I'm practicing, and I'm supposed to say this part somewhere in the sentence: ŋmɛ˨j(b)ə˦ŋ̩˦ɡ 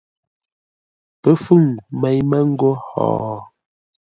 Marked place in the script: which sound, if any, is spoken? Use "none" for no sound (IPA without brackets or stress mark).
m